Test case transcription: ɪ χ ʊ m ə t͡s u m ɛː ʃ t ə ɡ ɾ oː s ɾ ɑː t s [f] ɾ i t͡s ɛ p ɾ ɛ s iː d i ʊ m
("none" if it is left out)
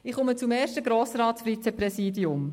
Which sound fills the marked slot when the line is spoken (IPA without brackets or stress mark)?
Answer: f